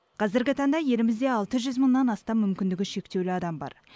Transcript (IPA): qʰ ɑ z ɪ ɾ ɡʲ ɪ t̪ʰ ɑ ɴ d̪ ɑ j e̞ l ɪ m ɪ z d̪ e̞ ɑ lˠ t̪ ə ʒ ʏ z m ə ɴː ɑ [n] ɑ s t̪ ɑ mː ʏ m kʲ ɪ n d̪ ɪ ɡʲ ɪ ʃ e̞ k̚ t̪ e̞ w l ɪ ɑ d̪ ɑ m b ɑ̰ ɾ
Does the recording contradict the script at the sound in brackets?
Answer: no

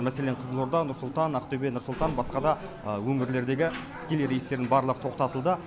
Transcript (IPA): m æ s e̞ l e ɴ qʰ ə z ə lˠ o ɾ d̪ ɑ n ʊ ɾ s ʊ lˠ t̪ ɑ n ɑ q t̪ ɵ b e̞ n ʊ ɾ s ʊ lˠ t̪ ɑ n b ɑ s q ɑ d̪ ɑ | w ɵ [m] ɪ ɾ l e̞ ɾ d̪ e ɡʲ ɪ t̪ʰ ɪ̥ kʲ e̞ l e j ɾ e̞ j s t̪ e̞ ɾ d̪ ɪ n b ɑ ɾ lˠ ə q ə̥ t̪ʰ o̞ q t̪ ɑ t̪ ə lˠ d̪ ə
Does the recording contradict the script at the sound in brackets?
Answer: yes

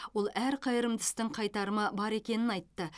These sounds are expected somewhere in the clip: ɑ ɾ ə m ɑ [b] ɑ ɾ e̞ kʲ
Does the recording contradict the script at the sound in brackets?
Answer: no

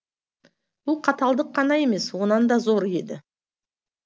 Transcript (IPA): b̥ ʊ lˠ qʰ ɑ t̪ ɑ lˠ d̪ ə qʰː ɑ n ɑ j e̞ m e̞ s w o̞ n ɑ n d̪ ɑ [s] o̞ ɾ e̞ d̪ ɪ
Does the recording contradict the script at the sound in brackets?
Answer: yes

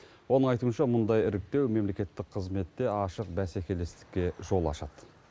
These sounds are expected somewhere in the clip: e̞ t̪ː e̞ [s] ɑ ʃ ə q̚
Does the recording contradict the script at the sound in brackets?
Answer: yes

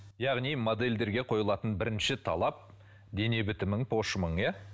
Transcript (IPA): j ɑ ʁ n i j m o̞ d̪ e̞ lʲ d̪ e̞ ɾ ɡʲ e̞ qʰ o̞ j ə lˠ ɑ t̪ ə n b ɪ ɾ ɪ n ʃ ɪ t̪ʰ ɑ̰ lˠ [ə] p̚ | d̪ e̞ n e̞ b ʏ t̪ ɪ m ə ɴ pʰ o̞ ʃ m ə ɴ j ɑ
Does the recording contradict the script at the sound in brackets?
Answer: yes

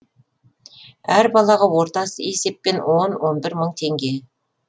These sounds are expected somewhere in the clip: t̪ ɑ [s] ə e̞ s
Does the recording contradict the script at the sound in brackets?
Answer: no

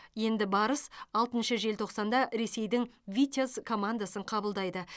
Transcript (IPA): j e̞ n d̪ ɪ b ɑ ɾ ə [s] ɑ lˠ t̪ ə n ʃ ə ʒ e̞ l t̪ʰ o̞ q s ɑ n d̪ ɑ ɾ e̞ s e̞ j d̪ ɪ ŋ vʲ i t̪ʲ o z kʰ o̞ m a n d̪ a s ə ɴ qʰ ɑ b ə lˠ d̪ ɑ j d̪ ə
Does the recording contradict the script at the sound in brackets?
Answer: no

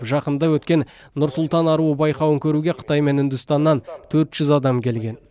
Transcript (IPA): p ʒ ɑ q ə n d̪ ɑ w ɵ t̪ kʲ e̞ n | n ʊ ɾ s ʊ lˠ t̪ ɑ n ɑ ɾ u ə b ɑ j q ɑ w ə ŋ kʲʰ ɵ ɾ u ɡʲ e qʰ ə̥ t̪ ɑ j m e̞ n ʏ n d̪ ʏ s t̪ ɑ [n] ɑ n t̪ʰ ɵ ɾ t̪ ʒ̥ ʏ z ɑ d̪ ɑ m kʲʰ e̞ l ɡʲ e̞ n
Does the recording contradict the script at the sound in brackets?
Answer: yes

